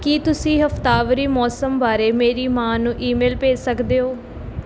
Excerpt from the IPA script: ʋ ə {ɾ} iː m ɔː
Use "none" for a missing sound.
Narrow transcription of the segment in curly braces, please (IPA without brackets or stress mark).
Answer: ɾ